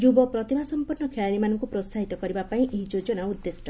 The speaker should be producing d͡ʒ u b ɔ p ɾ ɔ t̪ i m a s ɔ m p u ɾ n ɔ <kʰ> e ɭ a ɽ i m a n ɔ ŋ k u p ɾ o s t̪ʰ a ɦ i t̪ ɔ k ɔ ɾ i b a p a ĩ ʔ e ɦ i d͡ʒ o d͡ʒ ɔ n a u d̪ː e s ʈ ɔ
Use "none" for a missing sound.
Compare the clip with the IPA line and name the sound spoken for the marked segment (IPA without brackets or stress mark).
kʰ